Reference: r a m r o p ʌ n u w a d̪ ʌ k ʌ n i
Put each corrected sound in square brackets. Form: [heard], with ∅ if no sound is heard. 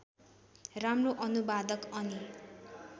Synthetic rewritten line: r a m r o [ʔ] ʌ n u [b] a d̪ ʌ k ʌ n i